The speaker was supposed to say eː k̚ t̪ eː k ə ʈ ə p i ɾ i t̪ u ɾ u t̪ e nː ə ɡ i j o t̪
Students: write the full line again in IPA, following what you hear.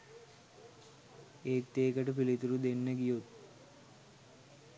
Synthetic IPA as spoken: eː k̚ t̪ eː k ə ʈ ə p i l i t̪ u ɾ u d̪ e nː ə ɡ i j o t̪